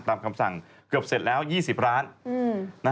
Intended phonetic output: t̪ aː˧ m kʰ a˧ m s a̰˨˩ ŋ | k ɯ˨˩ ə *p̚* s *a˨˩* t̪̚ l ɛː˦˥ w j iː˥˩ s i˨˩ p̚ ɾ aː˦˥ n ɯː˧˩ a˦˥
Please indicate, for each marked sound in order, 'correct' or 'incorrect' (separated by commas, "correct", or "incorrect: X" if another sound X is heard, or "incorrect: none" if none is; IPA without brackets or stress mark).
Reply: correct, incorrect: e˨˩